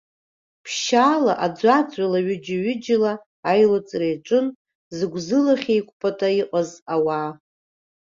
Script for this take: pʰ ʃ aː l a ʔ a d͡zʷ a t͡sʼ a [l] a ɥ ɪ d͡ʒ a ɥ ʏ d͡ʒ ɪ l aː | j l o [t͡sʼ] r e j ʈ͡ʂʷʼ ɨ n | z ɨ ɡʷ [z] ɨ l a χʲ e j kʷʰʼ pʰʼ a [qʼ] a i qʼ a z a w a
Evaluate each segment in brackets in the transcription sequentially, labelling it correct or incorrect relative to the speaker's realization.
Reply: correct, correct, correct, incorrect: tʼ

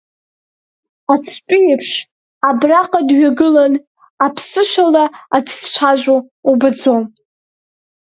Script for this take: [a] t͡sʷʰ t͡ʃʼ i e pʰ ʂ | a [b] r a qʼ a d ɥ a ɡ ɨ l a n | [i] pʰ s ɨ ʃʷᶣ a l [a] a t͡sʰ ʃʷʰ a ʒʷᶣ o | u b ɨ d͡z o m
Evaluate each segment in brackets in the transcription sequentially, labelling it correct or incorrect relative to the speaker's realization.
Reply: correct, correct, incorrect: a, correct

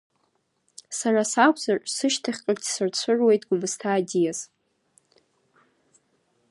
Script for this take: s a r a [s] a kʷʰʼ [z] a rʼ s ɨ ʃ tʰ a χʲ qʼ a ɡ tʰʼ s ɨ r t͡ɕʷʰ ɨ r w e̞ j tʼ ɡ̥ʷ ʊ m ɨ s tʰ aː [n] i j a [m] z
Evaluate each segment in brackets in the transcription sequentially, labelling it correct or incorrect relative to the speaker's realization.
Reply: correct, correct, incorrect: d, incorrect: none

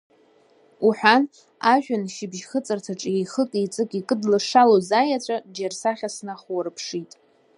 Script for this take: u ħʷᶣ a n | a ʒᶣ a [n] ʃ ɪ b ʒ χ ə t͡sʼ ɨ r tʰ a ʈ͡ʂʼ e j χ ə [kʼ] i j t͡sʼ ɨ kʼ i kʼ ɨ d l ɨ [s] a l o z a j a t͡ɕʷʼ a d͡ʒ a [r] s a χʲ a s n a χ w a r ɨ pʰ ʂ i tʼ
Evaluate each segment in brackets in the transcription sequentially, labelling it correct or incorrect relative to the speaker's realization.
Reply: correct, correct, incorrect: ʂ, correct

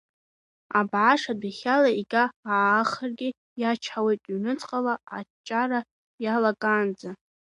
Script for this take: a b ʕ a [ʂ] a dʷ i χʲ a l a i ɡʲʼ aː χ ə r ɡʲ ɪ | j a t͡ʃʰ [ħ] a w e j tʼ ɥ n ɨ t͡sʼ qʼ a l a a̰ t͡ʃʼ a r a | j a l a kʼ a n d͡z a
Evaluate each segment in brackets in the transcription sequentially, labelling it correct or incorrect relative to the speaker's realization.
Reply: correct, correct

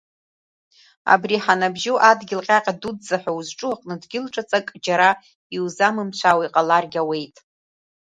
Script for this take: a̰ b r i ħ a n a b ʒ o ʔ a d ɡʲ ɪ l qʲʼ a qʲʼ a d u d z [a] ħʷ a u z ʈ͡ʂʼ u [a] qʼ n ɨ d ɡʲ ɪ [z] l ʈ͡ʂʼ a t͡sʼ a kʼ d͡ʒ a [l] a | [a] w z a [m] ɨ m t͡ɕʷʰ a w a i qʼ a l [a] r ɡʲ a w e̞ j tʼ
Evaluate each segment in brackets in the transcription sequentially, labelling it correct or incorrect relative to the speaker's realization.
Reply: correct, correct, incorrect: none, incorrect: ɾ, incorrect: i, correct, correct

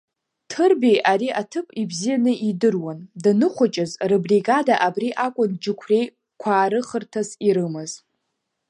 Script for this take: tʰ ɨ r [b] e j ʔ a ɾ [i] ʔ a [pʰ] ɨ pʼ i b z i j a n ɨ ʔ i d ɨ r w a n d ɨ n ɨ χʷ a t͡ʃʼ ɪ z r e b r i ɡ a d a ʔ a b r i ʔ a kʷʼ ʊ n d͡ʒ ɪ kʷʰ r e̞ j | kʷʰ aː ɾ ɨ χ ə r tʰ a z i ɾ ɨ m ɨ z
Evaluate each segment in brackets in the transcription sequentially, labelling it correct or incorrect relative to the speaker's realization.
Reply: correct, correct, incorrect: tʰ

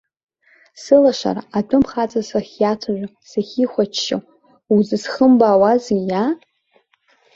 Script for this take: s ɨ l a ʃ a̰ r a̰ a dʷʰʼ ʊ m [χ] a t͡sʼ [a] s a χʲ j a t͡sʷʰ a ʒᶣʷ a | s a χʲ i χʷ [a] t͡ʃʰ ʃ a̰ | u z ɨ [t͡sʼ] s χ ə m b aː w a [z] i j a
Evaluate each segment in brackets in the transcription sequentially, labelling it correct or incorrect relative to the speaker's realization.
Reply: correct, correct, correct, incorrect: none, correct

